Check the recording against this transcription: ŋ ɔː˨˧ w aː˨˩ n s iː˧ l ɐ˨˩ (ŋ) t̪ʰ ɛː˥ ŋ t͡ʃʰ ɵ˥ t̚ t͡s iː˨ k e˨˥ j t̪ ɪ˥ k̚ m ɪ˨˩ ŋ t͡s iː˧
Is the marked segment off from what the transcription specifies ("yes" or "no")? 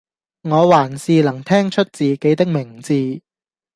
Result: no